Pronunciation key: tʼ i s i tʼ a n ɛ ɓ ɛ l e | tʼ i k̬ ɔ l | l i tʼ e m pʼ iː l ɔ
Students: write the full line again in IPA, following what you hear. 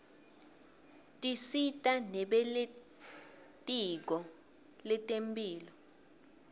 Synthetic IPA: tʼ i s i tʼ a n ɛ ɓ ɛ l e | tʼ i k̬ ɔ | l ɛ tʼ e m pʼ iː l ɔ